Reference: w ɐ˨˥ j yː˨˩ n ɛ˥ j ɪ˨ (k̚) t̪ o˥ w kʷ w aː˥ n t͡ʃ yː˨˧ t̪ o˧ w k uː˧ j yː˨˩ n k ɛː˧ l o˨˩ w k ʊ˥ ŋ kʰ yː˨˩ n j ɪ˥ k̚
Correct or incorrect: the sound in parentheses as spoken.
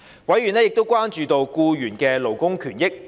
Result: correct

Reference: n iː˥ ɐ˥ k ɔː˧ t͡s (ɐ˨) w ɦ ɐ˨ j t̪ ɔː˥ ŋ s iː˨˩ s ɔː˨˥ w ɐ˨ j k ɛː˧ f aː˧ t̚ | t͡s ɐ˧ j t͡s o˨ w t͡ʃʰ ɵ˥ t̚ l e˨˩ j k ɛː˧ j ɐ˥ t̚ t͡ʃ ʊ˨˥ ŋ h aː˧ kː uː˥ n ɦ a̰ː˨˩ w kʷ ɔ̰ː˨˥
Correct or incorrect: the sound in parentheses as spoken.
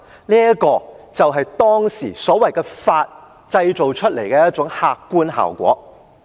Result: correct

